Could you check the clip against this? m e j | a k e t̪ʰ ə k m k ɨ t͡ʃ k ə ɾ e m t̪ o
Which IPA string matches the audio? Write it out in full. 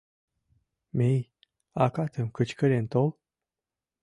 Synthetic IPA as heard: m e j | a k a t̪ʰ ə m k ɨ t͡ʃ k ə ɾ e n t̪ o